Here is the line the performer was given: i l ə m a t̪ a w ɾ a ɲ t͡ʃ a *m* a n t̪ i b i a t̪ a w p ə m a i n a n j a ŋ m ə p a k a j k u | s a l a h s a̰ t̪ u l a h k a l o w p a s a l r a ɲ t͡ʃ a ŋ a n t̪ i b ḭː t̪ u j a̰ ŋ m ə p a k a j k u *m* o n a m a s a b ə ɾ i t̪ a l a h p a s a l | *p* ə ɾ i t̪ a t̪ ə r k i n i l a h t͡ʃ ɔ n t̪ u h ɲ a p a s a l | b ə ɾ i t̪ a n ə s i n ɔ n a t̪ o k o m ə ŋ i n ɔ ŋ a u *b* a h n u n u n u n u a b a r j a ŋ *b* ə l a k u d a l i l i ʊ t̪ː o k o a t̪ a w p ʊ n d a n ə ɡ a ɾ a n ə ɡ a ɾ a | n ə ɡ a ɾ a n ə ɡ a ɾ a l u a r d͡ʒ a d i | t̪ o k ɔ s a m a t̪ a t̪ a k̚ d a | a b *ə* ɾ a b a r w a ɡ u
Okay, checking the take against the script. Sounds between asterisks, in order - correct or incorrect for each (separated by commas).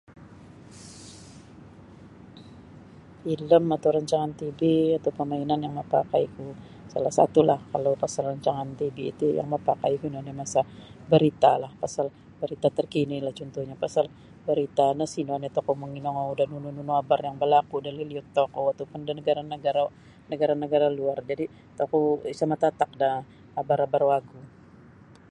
incorrect, incorrect, incorrect, incorrect, correct, incorrect